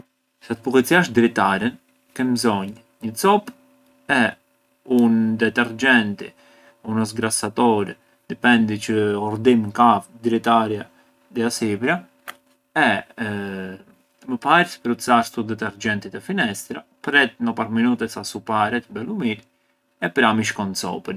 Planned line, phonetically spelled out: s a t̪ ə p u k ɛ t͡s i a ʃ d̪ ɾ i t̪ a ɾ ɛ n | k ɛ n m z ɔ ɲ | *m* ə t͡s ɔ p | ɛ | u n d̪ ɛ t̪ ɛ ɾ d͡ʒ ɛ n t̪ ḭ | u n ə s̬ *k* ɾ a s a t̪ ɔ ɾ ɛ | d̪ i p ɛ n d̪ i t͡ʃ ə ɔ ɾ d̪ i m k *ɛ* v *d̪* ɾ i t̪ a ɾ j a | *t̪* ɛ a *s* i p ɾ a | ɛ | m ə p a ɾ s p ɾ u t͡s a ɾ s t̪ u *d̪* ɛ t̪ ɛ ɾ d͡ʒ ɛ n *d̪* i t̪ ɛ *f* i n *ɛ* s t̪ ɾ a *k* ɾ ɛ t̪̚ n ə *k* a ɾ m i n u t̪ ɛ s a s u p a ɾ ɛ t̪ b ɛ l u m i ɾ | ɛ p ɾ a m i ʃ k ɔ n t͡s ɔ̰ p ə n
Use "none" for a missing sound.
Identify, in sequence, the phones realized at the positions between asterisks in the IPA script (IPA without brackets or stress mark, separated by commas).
ɲ, ɡ, a, d̪, d̪, s, d̪, t̪, f, ɛ, p, p